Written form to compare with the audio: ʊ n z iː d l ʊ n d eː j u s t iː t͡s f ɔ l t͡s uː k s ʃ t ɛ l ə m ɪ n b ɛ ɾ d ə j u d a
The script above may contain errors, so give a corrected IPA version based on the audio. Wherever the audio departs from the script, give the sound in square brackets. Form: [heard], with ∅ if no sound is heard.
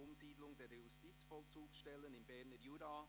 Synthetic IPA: ʊ [m] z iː d l ʊ [ŋ] d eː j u s t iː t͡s f ɔ l t͡s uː k s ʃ t ɛ l ə [n] ɪ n b ɛ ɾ [n] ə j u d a

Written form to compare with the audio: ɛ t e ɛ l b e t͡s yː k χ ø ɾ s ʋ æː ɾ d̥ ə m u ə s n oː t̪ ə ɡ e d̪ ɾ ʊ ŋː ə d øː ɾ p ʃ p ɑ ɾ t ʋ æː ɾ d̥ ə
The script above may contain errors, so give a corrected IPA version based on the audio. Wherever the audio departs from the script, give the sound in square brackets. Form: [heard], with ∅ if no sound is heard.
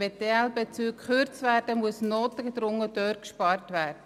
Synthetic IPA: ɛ t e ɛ l b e t͡s yː k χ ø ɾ [t͡s] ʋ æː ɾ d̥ ə m u ə s n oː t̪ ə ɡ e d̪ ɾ ʊ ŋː ə d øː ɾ [k] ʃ p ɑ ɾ t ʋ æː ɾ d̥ ə

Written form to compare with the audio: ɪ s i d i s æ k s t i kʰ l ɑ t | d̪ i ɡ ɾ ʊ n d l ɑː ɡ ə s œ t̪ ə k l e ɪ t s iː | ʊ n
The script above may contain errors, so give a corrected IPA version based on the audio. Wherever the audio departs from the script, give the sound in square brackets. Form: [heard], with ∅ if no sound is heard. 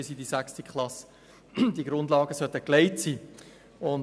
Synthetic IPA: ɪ s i d i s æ k s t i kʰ l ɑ [s] | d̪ i ɡ ɾ ʊ n d l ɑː ɡ ə s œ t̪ ə k l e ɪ t s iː | ʊ n

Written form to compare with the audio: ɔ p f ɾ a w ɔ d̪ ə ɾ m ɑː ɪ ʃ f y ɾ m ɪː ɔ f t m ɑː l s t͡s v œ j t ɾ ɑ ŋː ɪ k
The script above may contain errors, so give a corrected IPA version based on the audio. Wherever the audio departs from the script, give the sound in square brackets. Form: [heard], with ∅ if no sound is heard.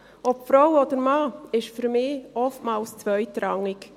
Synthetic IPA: ɔ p f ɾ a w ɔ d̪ ə ɾ m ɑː ɪ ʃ f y ɾ m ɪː ɔ f t m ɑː l s t͡s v œ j t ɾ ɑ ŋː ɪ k

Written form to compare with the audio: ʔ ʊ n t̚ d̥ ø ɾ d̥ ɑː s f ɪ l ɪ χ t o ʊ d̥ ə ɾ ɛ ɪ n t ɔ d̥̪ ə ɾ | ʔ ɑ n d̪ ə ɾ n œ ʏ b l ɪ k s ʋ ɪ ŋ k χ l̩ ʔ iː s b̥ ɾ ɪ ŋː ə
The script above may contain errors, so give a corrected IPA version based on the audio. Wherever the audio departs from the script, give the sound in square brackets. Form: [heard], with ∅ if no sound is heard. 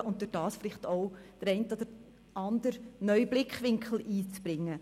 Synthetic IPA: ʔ ʊ n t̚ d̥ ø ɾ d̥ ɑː s f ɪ l ɪ χ t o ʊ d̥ ə ɾ ɛ ɪ n t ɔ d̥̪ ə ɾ | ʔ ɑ n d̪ ə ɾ n œ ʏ b l ɪ k [χ] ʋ ɪ ŋ k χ l̩ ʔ iː [t͡s] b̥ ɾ ɪ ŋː ə

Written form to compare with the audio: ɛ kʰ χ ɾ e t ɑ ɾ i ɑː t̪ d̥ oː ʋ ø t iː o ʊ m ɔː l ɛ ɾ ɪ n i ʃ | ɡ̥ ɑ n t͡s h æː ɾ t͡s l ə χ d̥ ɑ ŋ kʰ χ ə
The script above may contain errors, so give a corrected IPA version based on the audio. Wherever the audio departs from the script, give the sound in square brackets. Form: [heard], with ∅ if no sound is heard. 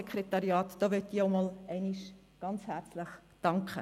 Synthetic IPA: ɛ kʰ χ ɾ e t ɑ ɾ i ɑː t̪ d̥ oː ʋ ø t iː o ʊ m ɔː l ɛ [∅] ɪ n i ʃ | ɡ̥ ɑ n t͡s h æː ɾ t͡s l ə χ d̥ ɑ ŋ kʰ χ ə

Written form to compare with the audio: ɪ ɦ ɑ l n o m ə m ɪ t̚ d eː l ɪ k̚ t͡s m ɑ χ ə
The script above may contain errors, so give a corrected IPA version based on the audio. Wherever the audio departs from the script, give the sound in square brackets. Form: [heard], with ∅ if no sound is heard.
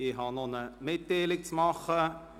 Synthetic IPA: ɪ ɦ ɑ [∅] n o [n] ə m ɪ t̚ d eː l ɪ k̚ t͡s m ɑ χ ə

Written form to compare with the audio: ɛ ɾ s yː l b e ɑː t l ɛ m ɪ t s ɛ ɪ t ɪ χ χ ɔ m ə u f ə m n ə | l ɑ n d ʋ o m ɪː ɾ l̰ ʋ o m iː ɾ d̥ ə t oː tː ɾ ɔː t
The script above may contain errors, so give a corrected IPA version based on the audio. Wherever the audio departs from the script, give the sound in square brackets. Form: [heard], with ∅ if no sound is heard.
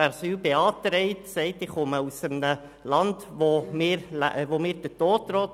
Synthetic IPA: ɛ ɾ s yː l b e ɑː t [ɾ] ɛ [∅] ɪ t s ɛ ɪ t ɪ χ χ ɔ m ə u [s] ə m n ə | l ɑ n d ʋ o m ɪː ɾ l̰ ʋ o m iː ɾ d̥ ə t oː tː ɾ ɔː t

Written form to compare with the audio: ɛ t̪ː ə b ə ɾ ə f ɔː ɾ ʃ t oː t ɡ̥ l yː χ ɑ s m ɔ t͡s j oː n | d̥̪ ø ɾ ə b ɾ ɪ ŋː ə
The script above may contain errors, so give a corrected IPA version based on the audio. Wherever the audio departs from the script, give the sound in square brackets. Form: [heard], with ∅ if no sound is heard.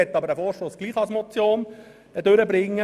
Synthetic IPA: ɛ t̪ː [ɑ] b ə ɾ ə f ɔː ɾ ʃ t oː [s] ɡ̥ l [iː] χ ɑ s m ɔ t͡s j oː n | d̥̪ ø ɾ ə b ɾ ɪ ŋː ə

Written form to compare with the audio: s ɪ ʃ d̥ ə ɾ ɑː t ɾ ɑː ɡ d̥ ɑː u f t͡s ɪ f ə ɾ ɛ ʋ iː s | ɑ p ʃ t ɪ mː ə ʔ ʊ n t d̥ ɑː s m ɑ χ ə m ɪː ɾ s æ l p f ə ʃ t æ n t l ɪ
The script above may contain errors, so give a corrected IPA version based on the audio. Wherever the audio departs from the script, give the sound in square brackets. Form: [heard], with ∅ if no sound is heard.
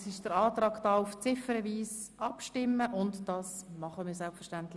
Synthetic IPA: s ɪ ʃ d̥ ə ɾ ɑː t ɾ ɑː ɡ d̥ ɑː u f t͡s ɪ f ə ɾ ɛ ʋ iː s | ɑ p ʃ t ɪ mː ə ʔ ʊ n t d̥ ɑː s m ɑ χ ə m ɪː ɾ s [ɛ] l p f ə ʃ t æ n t l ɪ

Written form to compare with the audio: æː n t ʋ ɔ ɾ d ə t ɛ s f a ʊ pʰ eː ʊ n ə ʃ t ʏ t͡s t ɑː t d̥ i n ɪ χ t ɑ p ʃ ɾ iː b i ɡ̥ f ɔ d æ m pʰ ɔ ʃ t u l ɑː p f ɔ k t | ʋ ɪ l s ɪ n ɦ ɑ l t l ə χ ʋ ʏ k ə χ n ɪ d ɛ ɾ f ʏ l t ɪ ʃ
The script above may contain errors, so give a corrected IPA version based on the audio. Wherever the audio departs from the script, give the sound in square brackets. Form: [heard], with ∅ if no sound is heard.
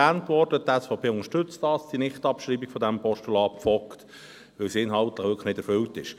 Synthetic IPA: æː n t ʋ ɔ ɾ d ə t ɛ s f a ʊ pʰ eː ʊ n ə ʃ t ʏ t͡s t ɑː [s] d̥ i n ɪ χ t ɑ p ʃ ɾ iː b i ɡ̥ f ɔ d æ m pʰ ɔ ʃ t u l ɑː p f ɔ k t | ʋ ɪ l s ɪ n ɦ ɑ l t l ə χ ʋ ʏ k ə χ n ɪ d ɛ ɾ f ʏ l t ɪ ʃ

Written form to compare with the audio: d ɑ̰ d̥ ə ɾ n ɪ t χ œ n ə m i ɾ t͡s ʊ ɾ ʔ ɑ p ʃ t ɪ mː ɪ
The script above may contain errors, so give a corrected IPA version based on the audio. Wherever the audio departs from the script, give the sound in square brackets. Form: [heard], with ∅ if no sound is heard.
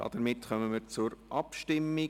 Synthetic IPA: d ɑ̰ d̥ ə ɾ [m] ɪ t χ œ [m] ə m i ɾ t͡s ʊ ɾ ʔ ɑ p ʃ t ɪ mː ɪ

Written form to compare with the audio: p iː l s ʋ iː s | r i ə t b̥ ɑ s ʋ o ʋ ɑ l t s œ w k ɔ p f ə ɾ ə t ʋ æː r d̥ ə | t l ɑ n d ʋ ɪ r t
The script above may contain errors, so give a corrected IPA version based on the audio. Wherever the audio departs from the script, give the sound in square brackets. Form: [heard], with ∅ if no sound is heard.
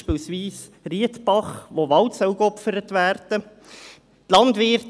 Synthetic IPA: p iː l s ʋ iː s | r i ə t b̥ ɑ [χ] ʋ o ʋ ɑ l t s œ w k ɔ p f ə ɾ ə t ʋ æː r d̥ ə | t l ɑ n d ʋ ɪ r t

